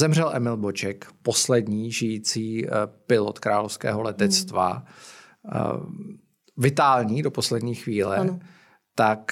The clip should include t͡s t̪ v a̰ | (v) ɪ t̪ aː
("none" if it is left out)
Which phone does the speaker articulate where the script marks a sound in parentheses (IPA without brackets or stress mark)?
v